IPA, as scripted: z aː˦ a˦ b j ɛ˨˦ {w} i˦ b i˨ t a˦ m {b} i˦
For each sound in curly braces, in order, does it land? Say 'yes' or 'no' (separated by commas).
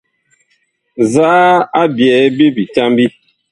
no, yes